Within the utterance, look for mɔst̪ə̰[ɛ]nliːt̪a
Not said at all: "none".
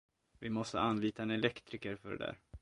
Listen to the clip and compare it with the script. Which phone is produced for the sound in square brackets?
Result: a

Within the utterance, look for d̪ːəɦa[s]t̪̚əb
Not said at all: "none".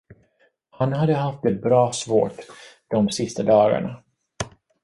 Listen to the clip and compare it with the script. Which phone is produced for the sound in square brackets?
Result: f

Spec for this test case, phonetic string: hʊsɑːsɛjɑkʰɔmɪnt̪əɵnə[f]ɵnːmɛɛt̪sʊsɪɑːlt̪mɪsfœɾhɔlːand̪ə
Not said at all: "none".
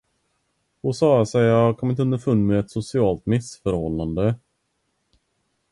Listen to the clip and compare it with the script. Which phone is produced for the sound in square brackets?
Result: f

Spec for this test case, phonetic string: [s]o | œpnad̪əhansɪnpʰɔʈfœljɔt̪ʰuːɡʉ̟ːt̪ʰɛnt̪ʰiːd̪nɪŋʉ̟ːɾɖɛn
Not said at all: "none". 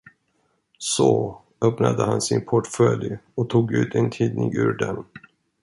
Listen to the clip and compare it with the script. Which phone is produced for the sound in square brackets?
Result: s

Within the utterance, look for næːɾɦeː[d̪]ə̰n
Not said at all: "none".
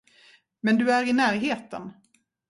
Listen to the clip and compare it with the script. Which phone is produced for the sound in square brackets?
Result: t̪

